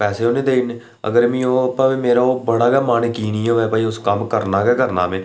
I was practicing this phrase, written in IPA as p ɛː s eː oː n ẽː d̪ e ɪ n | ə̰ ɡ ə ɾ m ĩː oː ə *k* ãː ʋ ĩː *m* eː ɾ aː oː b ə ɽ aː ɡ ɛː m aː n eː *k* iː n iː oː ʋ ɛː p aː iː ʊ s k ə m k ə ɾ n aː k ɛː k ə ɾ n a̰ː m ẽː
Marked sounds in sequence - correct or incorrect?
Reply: incorrect, correct, correct

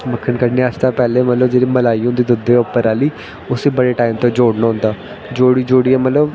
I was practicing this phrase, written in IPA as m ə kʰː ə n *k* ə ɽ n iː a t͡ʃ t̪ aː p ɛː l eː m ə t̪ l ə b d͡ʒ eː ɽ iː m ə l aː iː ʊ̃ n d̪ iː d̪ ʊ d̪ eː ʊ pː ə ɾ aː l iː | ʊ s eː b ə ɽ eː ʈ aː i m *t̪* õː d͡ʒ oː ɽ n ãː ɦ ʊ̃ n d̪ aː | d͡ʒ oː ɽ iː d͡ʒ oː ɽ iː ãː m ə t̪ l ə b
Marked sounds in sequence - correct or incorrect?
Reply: correct, correct

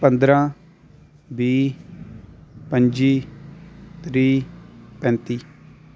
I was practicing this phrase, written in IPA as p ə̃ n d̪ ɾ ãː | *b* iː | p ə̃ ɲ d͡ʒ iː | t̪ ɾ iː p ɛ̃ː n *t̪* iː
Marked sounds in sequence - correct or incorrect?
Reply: correct, correct

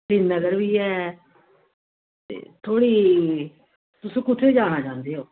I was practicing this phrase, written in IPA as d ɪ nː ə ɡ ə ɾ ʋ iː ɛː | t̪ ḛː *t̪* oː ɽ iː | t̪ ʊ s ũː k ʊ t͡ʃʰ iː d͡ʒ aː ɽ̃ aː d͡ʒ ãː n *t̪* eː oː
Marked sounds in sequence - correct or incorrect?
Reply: incorrect, incorrect

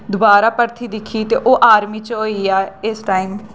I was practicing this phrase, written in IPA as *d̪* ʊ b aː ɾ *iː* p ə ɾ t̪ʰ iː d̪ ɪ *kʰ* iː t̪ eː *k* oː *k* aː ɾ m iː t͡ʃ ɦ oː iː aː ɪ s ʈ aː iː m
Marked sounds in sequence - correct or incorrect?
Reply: correct, incorrect, correct, incorrect, incorrect

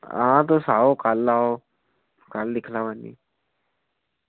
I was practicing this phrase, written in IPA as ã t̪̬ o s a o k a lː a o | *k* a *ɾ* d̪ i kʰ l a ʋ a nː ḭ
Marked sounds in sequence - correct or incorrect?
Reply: correct, incorrect

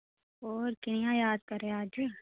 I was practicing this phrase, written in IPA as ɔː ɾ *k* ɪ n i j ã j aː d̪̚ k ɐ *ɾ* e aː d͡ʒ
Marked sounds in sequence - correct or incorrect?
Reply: correct, correct

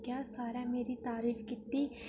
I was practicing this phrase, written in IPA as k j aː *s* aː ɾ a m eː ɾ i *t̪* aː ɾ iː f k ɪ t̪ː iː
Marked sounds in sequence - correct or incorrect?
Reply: correct, correct

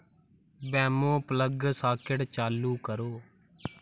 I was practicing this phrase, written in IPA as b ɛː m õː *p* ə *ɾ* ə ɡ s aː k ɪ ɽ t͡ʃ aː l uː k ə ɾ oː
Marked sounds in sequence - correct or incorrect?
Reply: correct, incorrect

